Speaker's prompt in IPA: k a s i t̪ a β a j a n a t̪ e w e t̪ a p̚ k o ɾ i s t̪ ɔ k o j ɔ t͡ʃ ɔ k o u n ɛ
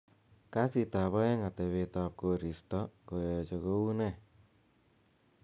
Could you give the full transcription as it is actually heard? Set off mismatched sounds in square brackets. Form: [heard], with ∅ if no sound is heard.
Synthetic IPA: k a s i t̪ a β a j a [ŋ] a t̪ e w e t̪ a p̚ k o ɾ i s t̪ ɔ k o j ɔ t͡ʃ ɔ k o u n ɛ